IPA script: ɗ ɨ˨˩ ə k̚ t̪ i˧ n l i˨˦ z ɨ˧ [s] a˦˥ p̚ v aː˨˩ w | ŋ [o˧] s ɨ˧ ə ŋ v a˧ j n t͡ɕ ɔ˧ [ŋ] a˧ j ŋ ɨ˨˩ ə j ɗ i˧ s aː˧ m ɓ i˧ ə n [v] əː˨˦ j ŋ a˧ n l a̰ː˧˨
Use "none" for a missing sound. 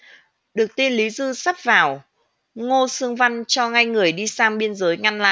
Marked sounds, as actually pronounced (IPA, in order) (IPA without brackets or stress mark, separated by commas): s, o˧, ŋ, z